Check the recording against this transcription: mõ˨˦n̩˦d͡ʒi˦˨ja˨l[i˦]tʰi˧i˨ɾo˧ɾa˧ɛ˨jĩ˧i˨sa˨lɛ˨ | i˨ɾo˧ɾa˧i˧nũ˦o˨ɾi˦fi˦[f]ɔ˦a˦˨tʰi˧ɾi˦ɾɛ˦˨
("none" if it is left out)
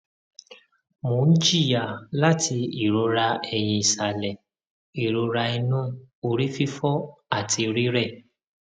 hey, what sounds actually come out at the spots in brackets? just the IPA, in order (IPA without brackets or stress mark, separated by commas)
a˦, f